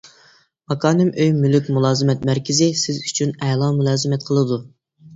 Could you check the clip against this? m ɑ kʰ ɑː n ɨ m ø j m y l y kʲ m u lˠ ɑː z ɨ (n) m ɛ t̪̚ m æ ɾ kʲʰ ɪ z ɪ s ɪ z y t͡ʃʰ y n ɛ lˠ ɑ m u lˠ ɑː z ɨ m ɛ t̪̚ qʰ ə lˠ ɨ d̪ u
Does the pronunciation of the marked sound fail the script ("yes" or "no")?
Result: yes